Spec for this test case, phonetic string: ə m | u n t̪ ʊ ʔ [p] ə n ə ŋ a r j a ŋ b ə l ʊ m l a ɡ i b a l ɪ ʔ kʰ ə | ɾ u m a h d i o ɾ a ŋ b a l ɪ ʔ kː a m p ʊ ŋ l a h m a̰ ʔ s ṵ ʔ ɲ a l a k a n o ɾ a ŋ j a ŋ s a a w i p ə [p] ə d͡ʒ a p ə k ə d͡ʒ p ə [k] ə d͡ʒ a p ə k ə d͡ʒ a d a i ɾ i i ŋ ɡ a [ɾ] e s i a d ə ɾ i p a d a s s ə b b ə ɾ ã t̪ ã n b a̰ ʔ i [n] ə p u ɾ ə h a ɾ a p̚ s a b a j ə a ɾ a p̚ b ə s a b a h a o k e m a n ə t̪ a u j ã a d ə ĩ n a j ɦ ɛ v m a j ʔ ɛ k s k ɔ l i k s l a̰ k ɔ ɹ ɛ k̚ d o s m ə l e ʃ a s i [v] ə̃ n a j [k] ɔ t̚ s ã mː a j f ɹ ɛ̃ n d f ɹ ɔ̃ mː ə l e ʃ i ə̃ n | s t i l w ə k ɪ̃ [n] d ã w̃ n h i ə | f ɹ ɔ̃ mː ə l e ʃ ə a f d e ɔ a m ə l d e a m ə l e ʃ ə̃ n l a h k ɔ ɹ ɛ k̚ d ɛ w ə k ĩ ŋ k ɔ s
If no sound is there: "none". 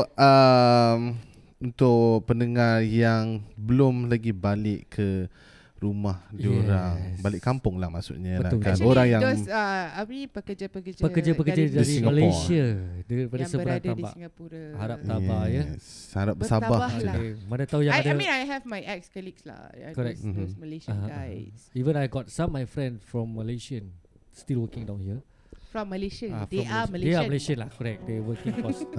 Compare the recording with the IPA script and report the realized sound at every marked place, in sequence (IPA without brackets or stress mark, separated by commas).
p, k, k, l, ŋ, v, ɡ, ŋ